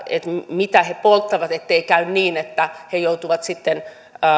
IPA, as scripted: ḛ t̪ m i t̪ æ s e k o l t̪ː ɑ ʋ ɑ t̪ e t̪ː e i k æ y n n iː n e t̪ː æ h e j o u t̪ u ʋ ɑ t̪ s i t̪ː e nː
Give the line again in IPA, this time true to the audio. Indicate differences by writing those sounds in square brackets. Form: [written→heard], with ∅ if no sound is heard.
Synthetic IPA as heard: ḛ t̪ m i t̪ æ [s→h] e [k→p] o l t̪ː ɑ ʋ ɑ t̪ e t̪ː e i k æ y n n iː n e t̪ː æ h e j o u t̪ u ʋ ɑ t̪ s i t̪ː e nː